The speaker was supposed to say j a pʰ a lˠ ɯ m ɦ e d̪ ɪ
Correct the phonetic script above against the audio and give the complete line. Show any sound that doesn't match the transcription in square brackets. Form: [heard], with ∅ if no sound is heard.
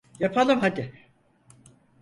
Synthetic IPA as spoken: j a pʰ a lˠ ɯ m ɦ [a] d̪ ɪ